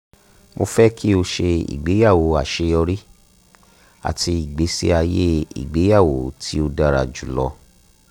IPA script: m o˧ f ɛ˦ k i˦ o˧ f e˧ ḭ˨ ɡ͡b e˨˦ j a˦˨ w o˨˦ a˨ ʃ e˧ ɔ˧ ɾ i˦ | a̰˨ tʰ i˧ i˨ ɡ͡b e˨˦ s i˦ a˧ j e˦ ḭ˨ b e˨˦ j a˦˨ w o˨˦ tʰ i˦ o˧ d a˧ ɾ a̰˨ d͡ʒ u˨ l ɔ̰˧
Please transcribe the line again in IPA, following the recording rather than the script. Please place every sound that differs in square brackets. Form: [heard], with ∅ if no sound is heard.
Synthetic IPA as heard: m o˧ f ɛ˦ k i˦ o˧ [ʃ] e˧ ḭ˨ ɡ͡b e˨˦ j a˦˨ w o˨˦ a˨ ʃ e˧ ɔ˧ ɾ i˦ | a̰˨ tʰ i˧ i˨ ɡ͡b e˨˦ s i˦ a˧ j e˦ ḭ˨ [ɡ͡b] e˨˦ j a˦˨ w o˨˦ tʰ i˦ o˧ d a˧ ɾ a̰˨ d͡ʒ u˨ l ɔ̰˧